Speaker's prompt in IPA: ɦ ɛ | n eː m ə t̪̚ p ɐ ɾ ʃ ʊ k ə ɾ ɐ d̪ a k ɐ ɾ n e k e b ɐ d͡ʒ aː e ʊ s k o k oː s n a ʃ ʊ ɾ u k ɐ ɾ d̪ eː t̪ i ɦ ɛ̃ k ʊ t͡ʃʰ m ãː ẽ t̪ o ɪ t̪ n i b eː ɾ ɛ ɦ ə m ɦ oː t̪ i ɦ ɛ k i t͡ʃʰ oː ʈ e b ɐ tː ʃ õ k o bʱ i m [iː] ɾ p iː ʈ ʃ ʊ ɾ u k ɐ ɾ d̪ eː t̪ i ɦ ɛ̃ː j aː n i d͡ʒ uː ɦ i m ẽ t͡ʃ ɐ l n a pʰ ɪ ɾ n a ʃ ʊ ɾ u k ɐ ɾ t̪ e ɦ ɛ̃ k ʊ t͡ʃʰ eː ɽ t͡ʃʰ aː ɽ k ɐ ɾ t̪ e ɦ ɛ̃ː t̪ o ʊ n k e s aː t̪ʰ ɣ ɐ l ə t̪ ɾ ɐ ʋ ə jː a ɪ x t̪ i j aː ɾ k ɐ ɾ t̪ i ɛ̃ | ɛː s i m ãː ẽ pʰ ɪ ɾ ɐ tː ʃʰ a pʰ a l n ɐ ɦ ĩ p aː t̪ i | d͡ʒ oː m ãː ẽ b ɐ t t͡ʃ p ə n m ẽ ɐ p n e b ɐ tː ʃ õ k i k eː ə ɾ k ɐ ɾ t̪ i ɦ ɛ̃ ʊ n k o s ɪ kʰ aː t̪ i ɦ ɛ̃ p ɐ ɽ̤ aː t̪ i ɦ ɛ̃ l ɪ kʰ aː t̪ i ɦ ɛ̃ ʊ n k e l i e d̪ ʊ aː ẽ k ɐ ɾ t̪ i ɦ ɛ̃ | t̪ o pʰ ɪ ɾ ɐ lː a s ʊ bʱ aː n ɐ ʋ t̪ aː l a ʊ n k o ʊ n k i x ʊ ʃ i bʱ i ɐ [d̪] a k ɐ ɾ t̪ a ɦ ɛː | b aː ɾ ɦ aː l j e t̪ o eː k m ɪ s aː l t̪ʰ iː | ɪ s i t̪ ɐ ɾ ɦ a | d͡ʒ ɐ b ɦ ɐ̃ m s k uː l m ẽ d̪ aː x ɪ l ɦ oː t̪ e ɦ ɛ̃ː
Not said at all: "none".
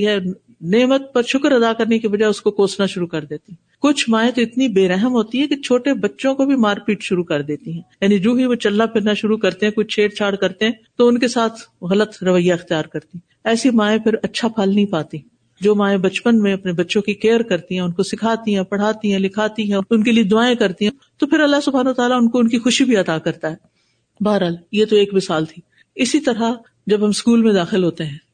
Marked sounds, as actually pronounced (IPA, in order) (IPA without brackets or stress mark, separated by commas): aː, t̪